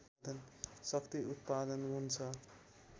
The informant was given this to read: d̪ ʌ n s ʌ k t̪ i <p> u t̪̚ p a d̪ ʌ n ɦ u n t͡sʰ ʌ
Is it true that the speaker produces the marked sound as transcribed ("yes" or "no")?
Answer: no